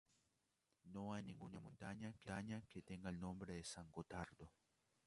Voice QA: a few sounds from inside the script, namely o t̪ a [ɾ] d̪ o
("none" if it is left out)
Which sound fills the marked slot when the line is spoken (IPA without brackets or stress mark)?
ɾ